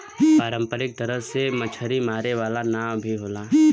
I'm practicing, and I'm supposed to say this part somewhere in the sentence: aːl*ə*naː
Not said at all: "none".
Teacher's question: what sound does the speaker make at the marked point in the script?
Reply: a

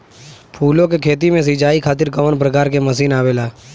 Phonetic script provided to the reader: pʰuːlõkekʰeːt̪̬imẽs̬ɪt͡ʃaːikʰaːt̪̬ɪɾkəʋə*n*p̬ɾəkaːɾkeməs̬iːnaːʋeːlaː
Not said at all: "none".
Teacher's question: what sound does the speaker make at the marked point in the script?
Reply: n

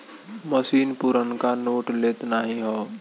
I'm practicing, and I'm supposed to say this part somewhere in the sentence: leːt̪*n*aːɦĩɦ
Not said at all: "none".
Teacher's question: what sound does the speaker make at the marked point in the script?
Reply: n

